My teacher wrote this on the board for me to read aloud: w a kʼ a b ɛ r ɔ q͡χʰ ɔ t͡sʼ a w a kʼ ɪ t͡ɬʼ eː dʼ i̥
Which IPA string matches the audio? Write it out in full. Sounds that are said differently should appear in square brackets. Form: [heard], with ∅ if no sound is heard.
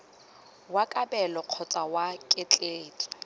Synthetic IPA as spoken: w a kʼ a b ɛ [l] ɔ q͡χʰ ɔ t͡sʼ a w a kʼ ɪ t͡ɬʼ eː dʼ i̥